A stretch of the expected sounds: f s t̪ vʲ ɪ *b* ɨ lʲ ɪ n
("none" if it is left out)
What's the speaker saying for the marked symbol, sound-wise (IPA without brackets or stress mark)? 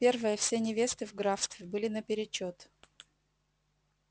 b